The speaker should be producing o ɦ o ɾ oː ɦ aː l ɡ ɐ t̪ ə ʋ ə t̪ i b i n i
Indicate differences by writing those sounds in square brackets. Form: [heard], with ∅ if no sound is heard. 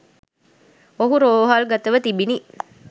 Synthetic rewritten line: o ɦ [u] ɾ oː ɦ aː l ɡ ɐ t̪ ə ʋ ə t̪ i b i n i